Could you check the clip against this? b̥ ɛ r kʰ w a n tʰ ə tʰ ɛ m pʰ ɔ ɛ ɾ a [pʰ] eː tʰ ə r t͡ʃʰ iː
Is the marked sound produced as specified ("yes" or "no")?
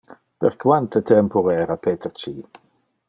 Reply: yes